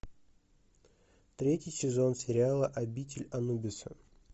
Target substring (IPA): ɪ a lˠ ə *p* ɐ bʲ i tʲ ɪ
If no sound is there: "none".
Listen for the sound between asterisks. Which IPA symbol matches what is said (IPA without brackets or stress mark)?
ʔ